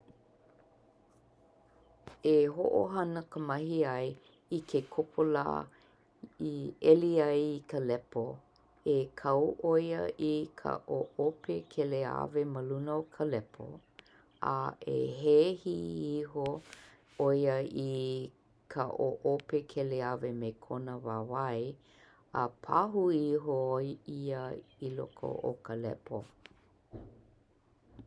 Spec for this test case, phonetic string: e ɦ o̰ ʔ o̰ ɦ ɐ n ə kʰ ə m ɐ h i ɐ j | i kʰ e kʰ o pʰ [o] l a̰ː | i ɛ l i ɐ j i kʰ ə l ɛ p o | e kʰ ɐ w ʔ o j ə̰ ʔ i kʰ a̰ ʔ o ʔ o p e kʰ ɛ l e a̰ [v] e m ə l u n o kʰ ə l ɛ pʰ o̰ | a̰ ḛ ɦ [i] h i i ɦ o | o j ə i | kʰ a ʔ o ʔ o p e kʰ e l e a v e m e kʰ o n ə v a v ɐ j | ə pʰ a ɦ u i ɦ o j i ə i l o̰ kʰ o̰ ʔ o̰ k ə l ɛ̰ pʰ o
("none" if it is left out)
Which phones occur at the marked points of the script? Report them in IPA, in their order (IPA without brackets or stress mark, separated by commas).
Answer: o, v, e